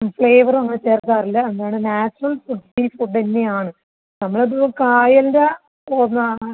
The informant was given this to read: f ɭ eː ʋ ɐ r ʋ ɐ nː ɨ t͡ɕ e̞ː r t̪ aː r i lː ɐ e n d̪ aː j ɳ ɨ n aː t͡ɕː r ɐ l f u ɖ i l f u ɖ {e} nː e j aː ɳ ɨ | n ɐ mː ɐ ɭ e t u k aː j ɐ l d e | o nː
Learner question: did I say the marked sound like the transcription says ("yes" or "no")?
yes